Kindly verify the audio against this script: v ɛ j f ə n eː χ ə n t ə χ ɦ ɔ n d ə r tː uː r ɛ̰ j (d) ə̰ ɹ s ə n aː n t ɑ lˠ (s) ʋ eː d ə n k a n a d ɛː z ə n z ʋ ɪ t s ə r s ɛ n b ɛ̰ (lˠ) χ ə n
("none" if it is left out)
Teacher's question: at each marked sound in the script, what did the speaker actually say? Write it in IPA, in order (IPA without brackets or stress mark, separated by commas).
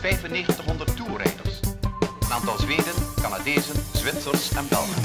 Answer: d, z, lˠ